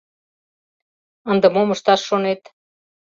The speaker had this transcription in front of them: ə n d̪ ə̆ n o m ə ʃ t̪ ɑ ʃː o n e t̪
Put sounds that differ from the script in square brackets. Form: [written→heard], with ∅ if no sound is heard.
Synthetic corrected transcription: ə n d̪ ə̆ [n→m] o m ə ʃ t̪ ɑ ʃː o n e t̪